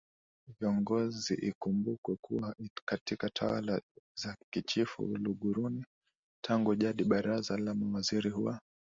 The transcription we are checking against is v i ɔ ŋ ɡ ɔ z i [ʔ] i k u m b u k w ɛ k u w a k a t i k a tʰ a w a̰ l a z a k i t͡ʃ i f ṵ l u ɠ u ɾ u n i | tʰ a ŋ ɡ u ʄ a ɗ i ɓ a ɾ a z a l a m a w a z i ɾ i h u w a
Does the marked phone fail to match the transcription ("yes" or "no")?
no